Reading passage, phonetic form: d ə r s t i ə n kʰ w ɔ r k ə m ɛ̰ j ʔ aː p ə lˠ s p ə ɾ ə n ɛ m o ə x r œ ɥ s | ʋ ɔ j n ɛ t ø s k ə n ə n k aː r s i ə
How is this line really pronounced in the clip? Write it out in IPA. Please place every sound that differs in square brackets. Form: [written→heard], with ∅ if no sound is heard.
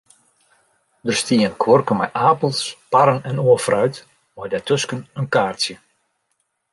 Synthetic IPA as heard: d ə r s t i ə n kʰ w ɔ r k ə m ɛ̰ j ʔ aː p ə lˠ s p [ə→a] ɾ ə n ɛ [m→n] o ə [x→f] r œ ɥ [s→t] | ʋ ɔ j [n→d] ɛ t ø s k ə n ə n k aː r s [i→j] ə